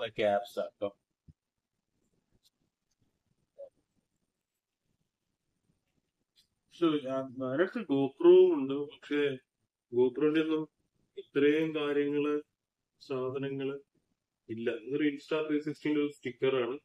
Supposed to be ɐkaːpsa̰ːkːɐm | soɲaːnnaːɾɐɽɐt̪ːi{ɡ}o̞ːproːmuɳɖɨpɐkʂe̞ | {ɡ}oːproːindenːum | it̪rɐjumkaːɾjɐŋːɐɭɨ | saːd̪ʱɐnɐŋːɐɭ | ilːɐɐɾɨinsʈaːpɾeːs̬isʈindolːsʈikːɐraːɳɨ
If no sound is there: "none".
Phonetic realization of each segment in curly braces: ɡ, ɡ

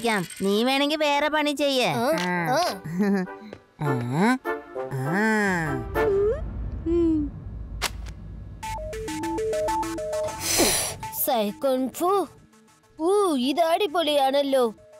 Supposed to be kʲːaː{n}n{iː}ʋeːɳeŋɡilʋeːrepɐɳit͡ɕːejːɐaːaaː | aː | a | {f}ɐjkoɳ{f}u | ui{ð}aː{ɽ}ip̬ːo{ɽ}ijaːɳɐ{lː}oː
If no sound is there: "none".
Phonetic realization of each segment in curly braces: m, iː, s, f, ð, ɽ, l, lː

